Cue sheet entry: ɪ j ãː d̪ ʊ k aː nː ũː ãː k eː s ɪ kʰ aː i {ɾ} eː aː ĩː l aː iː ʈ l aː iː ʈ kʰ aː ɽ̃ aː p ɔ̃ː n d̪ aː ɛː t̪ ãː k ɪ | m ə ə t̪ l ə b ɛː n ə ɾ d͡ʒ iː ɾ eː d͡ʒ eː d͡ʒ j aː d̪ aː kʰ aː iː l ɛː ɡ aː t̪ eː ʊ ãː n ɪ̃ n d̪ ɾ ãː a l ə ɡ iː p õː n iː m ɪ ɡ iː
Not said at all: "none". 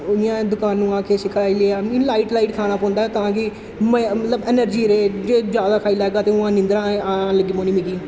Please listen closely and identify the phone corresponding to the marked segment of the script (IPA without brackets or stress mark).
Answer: l